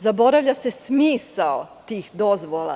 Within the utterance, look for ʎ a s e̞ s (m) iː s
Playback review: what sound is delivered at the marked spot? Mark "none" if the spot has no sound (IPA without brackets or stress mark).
m